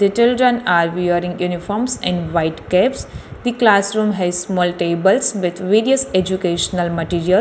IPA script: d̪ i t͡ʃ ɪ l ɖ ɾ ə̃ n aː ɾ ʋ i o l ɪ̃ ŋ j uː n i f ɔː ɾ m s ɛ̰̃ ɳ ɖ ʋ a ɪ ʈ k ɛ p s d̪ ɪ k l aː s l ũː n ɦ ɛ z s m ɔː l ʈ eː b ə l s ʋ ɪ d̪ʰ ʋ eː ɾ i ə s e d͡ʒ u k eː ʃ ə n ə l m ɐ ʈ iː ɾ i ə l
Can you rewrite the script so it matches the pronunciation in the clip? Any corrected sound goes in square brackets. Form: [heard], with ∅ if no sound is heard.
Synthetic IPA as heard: d̪ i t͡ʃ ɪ l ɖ ɾ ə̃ n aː ɾ ʋ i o [ɾ] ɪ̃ ŋ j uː n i f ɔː ɾ m s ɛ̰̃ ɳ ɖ ʋ a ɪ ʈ k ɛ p s d̪ [i] k l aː s [ɾ] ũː [m] ɦ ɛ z s m ɔː l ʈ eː b ə l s ʋ ɪ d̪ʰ ʋ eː ɾ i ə s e d͡ʒ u k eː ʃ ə n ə l m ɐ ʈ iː ɾ i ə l